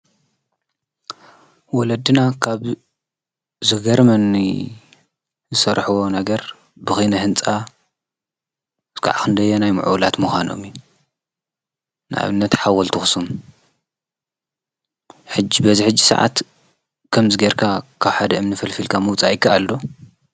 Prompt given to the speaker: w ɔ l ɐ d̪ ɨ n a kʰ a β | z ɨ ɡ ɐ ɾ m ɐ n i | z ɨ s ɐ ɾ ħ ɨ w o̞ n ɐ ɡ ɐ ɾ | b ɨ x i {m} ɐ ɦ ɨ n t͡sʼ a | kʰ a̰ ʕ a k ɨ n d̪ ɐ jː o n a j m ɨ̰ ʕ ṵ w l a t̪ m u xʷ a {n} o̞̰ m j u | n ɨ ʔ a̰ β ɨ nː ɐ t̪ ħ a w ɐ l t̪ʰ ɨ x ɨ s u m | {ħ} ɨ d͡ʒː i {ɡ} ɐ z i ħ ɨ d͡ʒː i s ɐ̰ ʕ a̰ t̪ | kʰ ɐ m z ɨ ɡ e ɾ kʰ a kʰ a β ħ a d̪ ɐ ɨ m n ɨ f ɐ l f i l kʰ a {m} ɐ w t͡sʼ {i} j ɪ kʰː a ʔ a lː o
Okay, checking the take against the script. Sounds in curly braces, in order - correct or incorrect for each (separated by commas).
incorrect, correct, correct, incorrect, correct, incorrect